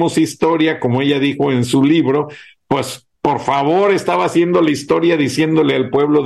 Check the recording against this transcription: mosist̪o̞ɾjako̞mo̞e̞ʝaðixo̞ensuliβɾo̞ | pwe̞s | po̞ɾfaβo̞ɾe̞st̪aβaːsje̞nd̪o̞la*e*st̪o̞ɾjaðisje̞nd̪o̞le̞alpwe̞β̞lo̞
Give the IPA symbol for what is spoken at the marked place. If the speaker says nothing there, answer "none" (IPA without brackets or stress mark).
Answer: i